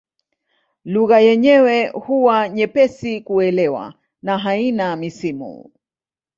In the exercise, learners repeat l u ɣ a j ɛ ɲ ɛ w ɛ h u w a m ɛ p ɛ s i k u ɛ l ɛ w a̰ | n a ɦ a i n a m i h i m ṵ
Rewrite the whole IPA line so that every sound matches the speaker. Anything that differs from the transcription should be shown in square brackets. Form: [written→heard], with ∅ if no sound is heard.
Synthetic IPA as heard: l u ɣ a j ɛ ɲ ɛ w ɛ h u w a [m→ɲ] ɛ p ɛ s i k u ɛ l ɛ w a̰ | n a ɦ a i n a m i [h→s] i m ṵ